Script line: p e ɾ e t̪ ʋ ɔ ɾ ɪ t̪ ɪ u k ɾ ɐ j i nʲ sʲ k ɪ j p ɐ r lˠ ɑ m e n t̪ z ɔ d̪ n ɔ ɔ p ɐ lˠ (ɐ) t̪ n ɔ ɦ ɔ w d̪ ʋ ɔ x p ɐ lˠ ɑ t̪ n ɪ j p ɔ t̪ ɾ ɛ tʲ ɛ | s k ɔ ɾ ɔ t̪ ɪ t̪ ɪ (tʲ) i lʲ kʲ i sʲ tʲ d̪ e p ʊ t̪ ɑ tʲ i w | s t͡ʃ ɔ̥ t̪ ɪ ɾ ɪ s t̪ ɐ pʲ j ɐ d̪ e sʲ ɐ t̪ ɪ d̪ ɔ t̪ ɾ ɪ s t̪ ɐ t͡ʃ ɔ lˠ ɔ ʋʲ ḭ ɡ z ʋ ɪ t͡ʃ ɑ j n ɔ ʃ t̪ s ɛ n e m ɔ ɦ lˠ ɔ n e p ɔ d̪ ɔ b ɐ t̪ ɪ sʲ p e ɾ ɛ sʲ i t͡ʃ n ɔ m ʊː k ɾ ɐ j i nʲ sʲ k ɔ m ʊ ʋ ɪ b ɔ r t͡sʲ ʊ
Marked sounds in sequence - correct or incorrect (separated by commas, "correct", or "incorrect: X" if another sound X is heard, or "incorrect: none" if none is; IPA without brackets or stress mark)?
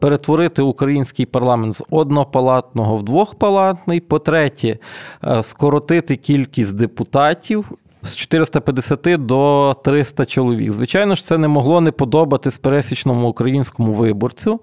incorrect: ɑ, incorrect: kʲ